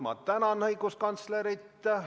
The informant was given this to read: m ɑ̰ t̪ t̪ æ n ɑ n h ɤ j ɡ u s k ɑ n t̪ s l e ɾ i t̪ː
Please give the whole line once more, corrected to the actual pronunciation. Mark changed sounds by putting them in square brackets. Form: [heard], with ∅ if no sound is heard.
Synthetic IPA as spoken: m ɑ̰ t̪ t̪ æ n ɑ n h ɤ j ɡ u s k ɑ n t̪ s l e ɾ i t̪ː

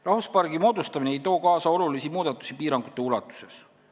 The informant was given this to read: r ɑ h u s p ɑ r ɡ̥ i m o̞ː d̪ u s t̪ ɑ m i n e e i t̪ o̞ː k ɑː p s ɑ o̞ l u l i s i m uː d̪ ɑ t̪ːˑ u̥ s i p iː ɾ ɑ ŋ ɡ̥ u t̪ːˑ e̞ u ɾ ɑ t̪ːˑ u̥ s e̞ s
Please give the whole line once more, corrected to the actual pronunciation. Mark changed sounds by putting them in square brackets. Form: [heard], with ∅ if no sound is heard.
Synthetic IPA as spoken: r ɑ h u s p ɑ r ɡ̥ i m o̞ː d̪ u s t̪ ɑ m i n e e [j] t̪ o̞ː k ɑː [∅] s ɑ o̞ l u l i s i m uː d̪ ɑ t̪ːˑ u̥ s i p iː ɾ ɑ ŋ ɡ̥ u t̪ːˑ e̞ u [l] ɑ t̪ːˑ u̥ s e̞ s

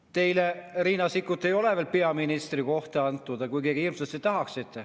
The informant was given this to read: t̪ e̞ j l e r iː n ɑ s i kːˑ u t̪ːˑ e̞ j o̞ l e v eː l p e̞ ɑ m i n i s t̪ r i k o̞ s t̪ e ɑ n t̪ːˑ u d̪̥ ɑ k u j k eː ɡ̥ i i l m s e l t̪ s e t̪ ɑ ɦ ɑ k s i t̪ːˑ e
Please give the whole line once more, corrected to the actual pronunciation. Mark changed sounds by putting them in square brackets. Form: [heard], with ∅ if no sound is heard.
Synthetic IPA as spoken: t̪ e̞ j l e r iː n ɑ s i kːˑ u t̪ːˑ e̞ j o̞ l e v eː l p e̞ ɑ m i n i s t̪ r i k o̞ [h] t̪ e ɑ n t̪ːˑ u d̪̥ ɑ k u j k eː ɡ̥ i i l m s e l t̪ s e t̪ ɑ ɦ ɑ k s i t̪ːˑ e

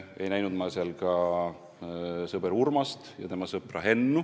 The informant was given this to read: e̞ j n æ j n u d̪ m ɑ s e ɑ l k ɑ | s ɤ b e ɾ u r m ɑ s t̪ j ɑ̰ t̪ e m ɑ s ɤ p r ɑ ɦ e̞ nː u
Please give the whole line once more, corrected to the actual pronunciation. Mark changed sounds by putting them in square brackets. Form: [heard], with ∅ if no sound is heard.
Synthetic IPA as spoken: e̞ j n æ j n u d̪ m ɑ s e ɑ l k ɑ | s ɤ b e ɾ u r m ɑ s t̪ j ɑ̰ t̪ e m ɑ s ɤ p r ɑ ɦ e̞ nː u

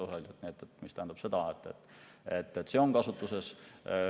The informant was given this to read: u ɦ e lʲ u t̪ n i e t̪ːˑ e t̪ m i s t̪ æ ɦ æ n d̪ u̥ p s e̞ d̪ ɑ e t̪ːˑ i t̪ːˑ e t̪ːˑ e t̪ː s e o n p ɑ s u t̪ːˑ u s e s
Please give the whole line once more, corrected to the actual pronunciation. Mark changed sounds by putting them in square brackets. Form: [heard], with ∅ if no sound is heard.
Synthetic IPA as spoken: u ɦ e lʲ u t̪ n i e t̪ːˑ e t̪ m i s t̪ æ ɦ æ n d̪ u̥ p s e̞ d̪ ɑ e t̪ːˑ [e] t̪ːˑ e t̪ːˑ e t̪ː s e o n [k] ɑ s u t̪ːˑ u s e s

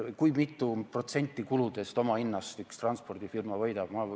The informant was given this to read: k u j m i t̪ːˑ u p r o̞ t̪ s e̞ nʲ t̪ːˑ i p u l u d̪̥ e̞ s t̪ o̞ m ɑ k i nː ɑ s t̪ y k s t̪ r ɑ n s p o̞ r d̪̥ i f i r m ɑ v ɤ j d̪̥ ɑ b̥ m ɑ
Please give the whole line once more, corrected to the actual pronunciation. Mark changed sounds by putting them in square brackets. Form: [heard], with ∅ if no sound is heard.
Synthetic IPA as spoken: k u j m i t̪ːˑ u p r o̞ t̪ s e̞ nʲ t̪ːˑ i [k] u l u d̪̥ e̞ s t̪ o̞ m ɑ [∅] i nː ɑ s t̪ y k s t̪ r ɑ n s p o̞ r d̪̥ i f i r m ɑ v ɤ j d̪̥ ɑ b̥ m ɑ

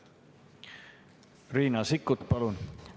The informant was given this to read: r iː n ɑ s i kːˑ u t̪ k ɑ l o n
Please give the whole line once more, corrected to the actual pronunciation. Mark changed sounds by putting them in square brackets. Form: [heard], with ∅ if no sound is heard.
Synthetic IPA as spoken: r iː n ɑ s i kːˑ u t̪ [p] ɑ l [u] n

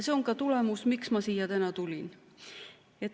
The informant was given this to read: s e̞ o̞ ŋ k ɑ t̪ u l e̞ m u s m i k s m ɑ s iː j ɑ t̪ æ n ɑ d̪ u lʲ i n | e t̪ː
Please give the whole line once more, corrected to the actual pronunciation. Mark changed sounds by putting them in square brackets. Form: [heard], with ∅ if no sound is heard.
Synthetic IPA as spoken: s e̞ o̞ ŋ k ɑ t̪ u l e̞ m u s m i k s m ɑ s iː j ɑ t̪ æ n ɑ [t̪] u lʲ i n | e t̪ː

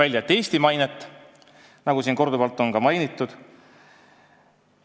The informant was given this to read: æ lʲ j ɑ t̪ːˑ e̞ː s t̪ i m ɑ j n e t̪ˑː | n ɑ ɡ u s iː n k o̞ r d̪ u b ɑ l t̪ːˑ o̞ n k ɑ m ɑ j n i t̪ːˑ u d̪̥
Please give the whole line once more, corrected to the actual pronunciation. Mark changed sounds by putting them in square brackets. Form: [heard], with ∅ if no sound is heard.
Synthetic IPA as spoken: æ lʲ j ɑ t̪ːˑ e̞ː s t̪ i m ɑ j n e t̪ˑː | n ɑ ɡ u s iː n k o̞ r d̪ u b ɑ l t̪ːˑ o̞ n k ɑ m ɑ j n i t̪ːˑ u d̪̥

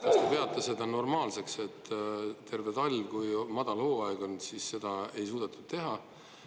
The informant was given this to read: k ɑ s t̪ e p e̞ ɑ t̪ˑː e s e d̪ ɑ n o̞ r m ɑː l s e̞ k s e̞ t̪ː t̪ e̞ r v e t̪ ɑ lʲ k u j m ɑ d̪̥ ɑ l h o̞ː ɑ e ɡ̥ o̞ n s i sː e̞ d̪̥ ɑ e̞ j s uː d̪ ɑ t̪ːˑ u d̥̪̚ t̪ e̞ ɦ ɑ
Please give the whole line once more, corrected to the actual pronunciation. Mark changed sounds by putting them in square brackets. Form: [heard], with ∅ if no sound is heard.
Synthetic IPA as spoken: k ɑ s t̪ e p e̞ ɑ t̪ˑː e s e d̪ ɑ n o̞ r m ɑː l s e̞ k s e̞ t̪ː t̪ e̞ r v e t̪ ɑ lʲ k u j m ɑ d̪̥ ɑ l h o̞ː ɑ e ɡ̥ o̞ n s i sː e̞ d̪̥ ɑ e̞ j s uː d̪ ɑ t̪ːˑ u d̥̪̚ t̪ e̞ ɦ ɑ

